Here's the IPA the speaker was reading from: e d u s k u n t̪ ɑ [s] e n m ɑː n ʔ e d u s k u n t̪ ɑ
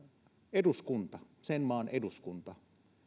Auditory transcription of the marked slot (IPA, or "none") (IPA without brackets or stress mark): s